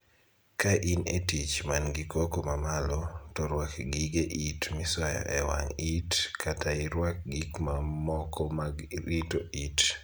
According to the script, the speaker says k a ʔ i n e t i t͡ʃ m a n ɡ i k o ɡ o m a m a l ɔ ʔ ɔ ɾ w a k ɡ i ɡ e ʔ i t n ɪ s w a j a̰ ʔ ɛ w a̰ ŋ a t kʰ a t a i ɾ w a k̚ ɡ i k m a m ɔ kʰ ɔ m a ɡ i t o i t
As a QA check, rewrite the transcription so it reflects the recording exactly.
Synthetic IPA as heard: k a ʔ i n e t i t͡ʃ m a n ɡ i k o k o m a m a l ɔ t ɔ ɾ w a k ɡ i ɡ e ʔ i t m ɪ s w a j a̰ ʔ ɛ w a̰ ŋ i t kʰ a t a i ɾ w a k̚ ɡ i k m a m ɔ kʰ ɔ m a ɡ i t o i t